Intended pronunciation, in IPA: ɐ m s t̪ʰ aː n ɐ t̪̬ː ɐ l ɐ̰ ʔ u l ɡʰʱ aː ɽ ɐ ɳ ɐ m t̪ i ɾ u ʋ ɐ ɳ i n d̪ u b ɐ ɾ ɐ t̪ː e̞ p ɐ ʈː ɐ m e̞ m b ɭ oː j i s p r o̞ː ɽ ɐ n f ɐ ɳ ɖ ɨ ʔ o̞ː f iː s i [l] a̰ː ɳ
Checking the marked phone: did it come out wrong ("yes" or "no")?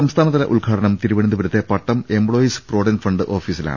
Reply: no